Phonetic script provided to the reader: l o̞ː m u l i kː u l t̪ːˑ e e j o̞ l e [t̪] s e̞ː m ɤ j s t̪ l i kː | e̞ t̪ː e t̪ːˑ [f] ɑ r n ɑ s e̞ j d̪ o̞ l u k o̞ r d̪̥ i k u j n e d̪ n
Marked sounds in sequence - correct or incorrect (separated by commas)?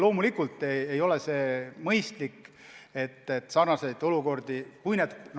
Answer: incorrect, incorrect